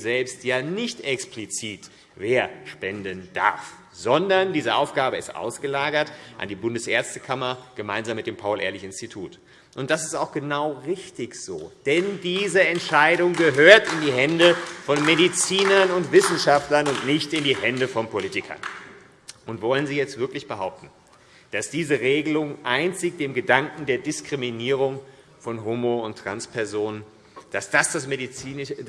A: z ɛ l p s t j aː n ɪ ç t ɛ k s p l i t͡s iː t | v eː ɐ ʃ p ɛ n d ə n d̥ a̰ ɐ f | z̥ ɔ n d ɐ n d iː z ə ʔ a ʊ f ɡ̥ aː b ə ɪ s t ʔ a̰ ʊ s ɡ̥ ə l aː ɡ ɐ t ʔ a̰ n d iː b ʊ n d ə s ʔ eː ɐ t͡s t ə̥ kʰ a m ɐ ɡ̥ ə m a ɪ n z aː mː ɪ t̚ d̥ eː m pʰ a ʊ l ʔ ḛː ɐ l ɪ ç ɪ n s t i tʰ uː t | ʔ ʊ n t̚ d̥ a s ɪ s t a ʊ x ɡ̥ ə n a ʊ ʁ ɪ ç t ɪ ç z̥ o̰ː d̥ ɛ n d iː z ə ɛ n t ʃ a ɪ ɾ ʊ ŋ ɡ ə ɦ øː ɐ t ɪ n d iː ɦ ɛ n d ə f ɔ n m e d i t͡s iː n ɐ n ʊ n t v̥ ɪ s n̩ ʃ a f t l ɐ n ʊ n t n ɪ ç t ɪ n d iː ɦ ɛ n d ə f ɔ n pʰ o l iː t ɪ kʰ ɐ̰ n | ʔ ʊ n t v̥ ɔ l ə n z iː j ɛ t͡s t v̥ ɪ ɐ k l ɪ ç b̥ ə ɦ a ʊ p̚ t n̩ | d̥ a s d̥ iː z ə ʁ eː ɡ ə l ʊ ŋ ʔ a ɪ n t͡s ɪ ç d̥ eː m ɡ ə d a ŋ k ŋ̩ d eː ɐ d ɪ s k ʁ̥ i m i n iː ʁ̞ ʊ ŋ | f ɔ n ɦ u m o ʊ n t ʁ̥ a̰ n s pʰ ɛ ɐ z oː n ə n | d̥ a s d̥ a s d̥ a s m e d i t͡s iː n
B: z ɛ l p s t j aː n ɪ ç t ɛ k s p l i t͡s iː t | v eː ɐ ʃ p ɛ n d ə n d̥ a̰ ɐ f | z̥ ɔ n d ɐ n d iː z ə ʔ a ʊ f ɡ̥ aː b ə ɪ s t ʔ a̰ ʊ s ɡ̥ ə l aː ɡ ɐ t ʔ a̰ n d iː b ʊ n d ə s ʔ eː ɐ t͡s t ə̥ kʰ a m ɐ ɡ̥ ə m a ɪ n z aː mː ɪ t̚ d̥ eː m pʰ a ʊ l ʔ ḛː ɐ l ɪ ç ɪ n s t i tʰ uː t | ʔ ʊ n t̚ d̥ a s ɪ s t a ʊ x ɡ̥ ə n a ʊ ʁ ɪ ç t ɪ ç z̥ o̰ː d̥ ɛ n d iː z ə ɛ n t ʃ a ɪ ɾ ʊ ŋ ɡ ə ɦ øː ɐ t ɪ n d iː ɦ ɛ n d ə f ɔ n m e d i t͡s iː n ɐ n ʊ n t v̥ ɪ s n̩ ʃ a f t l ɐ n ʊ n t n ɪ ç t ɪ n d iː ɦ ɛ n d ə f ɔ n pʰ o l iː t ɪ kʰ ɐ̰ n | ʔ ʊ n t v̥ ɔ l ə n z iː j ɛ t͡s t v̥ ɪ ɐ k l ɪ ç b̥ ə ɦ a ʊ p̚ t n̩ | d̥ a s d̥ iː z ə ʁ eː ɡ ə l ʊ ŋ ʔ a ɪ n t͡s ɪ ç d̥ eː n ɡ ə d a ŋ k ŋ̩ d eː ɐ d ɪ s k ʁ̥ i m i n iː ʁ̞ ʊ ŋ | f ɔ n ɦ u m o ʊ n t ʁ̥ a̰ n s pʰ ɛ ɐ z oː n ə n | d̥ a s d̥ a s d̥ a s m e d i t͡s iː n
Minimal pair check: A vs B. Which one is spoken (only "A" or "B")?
A